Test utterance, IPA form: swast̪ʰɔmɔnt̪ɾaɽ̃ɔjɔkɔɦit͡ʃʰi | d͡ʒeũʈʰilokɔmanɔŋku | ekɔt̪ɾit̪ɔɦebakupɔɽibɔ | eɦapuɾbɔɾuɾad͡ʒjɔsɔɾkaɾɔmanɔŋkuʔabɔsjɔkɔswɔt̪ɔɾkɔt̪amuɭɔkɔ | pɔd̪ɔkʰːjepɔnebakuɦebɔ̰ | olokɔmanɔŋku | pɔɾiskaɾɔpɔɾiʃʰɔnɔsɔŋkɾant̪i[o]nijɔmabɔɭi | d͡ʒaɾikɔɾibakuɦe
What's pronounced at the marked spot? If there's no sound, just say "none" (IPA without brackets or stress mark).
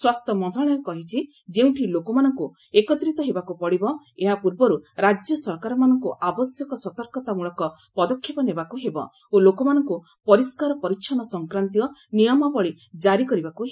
ɔ